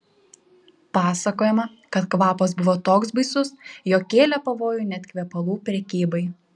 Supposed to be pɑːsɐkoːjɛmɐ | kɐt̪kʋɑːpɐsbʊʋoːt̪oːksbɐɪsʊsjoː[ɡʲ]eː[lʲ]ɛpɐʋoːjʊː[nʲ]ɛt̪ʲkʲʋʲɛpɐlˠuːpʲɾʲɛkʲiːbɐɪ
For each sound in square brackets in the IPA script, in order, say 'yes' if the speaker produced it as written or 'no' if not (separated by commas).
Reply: no, yes, yes